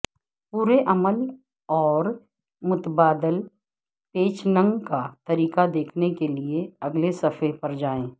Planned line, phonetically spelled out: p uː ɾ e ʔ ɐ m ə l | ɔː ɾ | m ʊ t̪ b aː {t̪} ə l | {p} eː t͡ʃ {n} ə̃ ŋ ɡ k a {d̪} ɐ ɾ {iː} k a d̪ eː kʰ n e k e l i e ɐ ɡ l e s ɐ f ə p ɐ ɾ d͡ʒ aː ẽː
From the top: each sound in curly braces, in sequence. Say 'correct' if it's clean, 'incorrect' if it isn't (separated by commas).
incorrect, correct, correct, incorrect, correct